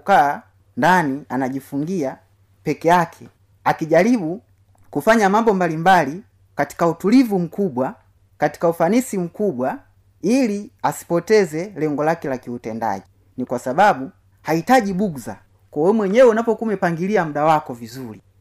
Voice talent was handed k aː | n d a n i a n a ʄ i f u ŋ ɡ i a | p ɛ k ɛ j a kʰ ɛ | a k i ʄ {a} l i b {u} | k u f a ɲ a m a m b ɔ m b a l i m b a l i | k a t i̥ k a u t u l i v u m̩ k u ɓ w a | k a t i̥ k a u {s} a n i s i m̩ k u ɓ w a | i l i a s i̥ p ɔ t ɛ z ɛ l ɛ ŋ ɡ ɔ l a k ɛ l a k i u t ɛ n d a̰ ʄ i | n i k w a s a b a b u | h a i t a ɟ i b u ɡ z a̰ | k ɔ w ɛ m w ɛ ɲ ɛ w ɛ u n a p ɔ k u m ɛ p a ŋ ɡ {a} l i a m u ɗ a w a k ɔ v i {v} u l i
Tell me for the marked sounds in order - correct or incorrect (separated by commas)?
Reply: correct, correct, incorrect, incorrect, incorrect